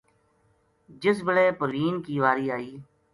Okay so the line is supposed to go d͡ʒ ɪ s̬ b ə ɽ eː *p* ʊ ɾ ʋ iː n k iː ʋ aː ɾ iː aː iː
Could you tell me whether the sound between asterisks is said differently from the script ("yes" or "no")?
no